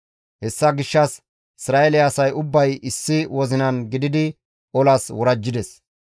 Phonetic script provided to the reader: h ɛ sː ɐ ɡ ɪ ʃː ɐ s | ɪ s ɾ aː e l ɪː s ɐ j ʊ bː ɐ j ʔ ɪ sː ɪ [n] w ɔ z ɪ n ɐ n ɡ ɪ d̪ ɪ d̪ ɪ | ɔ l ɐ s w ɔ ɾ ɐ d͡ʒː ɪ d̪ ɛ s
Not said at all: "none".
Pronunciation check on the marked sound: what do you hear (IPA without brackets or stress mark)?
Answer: none